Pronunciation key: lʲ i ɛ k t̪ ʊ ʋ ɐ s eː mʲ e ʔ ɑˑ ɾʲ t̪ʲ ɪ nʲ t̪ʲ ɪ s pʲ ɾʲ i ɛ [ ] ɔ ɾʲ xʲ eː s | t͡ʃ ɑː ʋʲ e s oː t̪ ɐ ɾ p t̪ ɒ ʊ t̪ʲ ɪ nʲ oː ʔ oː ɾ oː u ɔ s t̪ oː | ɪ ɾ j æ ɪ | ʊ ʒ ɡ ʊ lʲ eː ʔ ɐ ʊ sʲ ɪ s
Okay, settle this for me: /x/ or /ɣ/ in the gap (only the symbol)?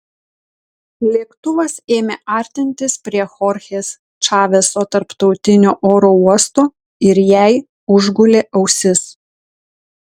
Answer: x